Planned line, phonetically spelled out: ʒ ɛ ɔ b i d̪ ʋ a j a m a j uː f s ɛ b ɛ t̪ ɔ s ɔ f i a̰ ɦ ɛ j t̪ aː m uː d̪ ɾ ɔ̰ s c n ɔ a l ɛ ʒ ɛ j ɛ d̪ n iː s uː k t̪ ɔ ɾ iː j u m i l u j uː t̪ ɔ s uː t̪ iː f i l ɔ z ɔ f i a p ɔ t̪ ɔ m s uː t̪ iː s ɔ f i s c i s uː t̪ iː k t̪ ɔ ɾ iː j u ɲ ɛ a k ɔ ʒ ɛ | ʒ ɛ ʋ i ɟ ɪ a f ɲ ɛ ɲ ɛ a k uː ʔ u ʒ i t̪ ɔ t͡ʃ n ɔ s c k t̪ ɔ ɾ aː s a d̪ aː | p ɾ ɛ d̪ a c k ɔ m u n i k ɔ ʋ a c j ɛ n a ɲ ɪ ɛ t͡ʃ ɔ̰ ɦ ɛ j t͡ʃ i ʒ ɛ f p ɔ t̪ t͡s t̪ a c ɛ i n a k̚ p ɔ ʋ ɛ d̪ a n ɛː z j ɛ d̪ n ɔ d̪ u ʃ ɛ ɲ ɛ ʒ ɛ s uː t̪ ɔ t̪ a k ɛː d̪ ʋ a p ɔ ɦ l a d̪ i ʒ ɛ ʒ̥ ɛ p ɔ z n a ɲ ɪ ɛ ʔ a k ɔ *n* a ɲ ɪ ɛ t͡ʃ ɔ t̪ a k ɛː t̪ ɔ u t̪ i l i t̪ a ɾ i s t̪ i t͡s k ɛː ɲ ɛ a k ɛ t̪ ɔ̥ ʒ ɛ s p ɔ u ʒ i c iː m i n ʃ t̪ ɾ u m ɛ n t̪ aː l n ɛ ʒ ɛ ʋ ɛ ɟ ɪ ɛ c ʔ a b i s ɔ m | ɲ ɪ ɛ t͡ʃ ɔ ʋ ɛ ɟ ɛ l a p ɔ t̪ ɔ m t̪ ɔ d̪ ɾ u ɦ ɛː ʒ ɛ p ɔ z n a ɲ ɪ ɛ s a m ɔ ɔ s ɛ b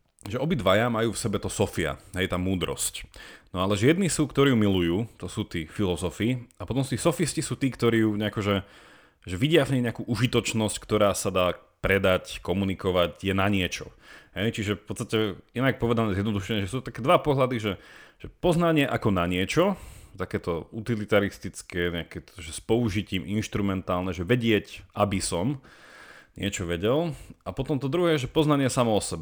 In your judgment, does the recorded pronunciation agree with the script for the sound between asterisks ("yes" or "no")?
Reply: yes